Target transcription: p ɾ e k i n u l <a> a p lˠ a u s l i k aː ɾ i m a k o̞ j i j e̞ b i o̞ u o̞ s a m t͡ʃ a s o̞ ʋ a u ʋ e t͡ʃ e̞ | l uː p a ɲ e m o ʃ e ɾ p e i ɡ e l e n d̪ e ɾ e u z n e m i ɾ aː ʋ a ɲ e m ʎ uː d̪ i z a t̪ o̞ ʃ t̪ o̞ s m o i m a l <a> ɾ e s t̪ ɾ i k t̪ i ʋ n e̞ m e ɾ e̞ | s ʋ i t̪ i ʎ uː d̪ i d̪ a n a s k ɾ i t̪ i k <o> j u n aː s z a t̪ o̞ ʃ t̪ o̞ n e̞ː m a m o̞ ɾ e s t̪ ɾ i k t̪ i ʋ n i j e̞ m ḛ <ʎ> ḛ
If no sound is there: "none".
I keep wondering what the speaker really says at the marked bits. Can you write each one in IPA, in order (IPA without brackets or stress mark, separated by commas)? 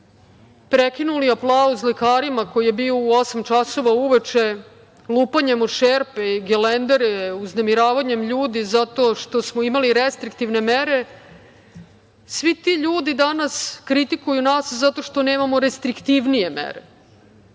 i, i, u, ɾ